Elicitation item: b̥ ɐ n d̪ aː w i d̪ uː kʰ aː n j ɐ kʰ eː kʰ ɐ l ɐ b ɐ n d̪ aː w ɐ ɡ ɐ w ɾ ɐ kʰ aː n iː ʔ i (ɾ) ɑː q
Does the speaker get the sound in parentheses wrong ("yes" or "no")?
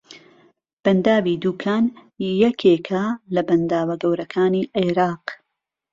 no